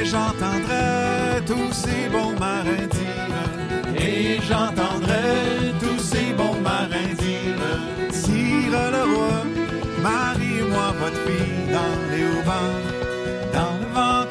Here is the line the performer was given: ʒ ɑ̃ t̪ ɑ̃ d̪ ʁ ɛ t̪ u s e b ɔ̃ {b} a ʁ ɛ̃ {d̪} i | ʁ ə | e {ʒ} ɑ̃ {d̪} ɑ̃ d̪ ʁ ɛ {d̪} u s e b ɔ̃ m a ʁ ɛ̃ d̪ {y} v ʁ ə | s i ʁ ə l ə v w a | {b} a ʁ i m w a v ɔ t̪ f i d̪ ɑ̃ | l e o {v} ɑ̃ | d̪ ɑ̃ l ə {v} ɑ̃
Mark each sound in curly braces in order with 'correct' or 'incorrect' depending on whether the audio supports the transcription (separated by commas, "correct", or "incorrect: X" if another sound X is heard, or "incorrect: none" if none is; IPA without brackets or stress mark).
incorrect: m, correct, correct, incorrect: t̪, incorrect: t̪, incorrect: i, incorrect: m, correct, correct